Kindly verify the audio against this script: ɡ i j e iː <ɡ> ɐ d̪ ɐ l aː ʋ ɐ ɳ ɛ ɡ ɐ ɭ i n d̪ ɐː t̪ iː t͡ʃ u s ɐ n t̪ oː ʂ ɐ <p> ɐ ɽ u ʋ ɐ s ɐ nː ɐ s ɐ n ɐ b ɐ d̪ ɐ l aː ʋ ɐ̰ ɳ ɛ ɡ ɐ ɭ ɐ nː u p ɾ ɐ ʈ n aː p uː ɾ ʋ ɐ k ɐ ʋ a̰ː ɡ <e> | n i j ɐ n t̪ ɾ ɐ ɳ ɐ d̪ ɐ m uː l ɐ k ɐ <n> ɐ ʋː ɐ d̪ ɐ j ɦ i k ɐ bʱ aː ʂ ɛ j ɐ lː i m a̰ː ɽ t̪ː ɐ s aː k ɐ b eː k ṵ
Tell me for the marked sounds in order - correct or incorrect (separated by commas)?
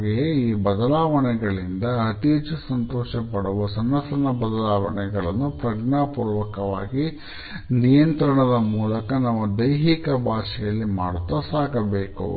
incorrect, correct, incorrect, correct